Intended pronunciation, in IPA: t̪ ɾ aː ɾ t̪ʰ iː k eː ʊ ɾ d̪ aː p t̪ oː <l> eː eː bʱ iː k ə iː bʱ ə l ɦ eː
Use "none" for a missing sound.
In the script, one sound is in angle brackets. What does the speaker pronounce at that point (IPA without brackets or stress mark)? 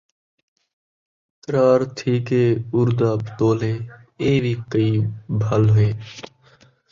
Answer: l